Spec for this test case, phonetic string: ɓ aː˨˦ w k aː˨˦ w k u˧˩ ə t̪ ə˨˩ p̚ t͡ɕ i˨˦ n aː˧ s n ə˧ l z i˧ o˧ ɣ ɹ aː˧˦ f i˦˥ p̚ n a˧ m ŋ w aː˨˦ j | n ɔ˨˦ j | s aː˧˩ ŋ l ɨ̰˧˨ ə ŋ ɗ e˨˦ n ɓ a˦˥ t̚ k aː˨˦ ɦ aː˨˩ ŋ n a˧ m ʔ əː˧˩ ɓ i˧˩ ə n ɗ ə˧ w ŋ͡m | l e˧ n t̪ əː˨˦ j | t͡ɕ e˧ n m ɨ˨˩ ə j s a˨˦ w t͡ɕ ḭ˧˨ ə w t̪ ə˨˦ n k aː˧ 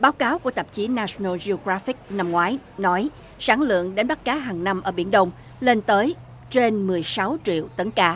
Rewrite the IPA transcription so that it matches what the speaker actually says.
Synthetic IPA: ɓ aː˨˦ w k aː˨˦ w k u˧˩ ə t̪ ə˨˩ p̚ t͡ɕ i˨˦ n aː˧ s n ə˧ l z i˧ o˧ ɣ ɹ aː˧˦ f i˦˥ k̚ n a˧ m ŋ w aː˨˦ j | n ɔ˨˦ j | s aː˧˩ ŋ l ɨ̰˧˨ ə ŋ ɗ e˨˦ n ɓ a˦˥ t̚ k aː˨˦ ɦ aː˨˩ ŋ n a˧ m ʔ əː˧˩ ɓ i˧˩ ə n ɗ ə˧ w ŋ͡m | l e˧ n t̪ əː˨˦ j | t͡ɕ e˧ n m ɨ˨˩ ə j s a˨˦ w t͡ɕ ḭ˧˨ ə w t̪ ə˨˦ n k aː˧